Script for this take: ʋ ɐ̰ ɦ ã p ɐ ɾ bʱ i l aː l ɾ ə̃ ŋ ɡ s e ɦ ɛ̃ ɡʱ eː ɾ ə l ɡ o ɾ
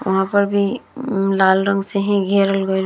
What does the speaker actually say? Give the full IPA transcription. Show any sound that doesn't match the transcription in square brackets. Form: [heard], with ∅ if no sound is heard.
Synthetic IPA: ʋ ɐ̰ ɦ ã p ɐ ɾ bʱ i l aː l ɾ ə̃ ŋ ɡ s e ɦ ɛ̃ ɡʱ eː ɾ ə l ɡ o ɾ